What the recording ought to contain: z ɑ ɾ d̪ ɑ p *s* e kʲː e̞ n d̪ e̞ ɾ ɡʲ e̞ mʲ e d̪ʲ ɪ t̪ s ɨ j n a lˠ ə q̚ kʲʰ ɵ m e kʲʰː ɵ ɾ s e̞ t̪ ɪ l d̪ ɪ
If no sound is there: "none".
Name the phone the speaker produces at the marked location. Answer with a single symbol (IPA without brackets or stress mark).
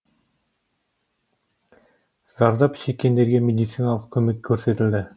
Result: ʃ